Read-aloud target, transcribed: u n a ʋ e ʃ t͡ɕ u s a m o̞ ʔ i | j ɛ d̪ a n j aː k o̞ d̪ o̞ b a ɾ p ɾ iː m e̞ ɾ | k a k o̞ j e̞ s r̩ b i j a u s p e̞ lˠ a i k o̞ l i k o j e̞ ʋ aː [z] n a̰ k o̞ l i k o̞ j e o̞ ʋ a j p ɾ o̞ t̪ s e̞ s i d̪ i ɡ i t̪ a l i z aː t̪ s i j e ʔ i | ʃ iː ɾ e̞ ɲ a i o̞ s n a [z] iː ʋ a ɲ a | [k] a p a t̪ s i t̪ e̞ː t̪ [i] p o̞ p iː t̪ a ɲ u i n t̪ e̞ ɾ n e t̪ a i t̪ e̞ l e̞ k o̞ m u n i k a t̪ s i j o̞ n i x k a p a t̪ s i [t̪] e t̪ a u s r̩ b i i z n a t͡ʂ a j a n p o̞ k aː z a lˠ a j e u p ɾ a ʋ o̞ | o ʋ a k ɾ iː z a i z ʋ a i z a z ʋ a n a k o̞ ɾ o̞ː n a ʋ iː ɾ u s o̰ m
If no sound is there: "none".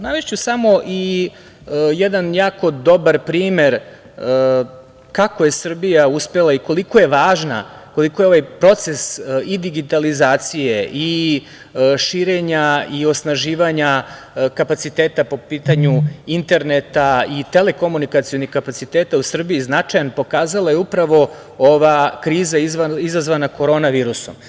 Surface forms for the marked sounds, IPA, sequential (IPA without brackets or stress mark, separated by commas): ʒ, ʒ, k, a, t̪